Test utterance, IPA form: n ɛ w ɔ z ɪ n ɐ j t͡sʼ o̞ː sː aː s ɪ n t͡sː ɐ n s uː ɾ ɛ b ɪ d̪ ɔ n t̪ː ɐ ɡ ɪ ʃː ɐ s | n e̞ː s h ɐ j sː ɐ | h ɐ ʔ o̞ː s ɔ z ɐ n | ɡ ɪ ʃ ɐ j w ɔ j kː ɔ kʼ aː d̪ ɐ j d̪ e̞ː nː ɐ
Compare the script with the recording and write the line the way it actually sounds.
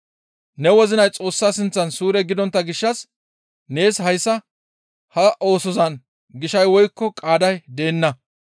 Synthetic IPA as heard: n ɛ w ɔ z ɪ n ɐ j t͡sʼ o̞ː sː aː s ɪ n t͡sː ɐ n s uː ɾ ɛ ɡ ɪ d̪ ɔ n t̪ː ɐ ɡ ɪ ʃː ɐ s | n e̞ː s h ɐ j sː ɐ | h ɐ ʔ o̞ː s ɔ z ɐ n | ɡ ɪ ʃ ɐ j w ɔ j kː ɔ kʼ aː d̪ ɐ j d̪ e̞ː nː ɐ